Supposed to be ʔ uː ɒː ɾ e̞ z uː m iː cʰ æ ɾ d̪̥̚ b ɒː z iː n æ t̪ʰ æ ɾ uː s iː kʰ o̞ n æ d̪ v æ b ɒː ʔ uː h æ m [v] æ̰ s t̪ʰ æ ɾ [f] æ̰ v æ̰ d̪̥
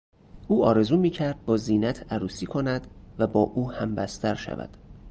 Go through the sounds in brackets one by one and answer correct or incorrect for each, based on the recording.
incorrect, incorrect

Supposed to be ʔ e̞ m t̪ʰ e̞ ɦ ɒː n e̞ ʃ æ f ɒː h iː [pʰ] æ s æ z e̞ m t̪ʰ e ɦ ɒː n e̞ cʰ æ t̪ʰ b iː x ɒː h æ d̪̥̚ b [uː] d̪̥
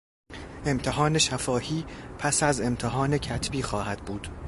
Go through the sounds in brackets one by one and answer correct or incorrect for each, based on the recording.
correct, correct

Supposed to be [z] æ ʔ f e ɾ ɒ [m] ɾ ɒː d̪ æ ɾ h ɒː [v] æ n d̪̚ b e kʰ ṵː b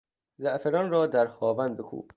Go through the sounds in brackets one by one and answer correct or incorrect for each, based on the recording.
correct, incorrect, correct

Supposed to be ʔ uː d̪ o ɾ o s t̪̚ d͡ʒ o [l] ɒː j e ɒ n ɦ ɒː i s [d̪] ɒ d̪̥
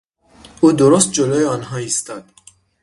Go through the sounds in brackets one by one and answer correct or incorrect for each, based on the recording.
correct, incorrect

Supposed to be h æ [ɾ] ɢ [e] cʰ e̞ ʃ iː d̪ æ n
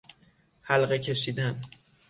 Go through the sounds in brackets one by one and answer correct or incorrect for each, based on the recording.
incorrect, correct

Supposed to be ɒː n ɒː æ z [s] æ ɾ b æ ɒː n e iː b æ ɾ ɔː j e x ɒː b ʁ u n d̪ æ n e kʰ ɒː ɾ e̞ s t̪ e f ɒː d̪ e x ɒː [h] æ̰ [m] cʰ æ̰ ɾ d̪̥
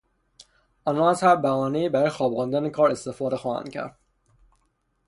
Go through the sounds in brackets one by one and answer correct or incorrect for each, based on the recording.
incorrect, correct, incorrect

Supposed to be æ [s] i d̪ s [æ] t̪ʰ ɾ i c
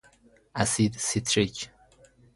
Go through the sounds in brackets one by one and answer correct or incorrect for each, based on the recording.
correct, incorrect

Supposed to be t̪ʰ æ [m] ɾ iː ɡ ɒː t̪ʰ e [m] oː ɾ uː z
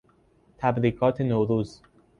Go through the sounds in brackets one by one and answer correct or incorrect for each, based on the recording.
incorrect, incorrect

